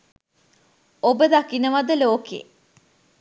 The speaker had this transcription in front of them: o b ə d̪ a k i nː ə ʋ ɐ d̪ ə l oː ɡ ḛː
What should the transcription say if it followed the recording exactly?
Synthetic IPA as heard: o b ə d̪ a k i n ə ʋ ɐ d̪ ə l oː k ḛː

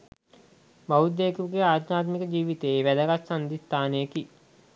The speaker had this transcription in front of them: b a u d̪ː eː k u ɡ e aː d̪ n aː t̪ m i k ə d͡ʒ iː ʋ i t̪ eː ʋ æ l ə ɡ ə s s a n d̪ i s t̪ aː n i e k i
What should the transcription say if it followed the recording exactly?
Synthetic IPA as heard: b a u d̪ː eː k u ɡ e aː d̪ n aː t̪ m i k ə d͡ʒ iː ʋ i t̪ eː ʋ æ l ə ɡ a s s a n d̪ i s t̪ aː n e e k i

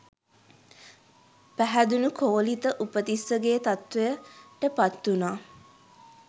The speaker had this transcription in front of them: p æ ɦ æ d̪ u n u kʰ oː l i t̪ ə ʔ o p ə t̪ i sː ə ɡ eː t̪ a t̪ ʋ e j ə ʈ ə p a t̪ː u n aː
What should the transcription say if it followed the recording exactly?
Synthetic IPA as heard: p æ ɦ æ d̪ u n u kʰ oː l i t̪ ə ʔ u p ə t̪ i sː ə ɡ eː t̪ a t̪ ʋ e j ə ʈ ə p a t̪ː u n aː

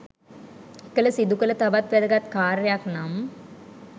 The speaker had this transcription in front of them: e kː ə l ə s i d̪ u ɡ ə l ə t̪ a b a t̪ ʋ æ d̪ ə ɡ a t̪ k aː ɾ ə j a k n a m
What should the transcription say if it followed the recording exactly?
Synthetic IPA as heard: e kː ə l ə s i d̪ u k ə l ə t̪ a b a t̪ ʋ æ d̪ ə ɡ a t̪ k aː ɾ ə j a k n a m

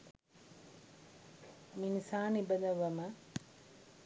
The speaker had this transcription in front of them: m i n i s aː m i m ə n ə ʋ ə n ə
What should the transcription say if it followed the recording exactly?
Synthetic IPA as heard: m i n i s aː n i b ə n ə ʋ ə m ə

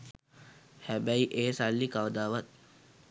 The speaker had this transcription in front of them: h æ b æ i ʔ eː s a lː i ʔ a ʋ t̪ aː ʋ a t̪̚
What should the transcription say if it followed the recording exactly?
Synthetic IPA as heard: h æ b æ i ʔ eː s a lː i k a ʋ d̪ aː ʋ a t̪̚

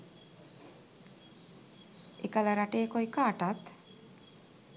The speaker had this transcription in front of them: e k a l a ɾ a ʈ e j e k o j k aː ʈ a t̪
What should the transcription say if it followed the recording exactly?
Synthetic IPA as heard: e k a l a ɾ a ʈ e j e k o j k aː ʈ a t̪

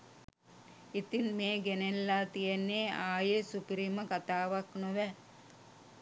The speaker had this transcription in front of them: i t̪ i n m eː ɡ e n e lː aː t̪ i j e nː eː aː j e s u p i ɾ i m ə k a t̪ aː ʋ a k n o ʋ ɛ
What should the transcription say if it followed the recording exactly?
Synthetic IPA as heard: i t̪ i n m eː ɡ e n e lː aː t̪ i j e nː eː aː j e s u p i ɾ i m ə k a t̪ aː ʋ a k n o ʋ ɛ

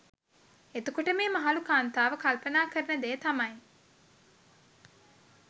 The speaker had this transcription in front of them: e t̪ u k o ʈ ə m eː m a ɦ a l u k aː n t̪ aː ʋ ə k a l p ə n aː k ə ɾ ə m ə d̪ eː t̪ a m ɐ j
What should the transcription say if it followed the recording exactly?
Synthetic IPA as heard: e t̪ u k o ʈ ə m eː m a ɦ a l u k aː n t̪ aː ʋ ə k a l p ə n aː k ə ɾ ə n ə d̪ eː t̪ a m ɐ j

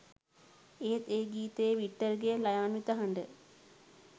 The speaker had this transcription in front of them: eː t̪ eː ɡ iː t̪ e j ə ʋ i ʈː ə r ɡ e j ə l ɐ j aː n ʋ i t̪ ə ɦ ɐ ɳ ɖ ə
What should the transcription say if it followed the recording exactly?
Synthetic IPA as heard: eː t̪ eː ɡ iː t̪ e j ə ʋ i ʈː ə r ɡ e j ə l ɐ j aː n ʋ i t̪ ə ɦ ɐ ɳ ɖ ə

